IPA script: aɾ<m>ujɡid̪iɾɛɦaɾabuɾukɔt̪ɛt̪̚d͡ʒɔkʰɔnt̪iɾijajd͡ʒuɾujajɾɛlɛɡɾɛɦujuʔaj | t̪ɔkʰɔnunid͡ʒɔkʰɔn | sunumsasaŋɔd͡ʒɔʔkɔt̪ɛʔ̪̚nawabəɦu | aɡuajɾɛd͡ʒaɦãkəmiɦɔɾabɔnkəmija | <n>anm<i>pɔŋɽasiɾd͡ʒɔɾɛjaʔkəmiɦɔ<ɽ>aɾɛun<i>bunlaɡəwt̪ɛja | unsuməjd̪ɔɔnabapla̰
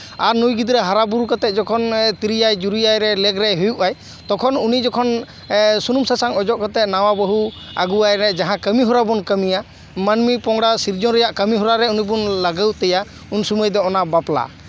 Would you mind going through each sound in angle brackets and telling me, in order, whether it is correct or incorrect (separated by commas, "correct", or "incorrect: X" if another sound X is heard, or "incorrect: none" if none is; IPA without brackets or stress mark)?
incorrect: n, incorrect: m, correct, incorrect: ɾ, correct